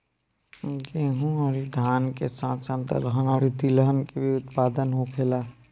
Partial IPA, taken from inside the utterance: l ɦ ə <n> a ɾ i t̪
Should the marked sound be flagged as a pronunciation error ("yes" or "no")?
no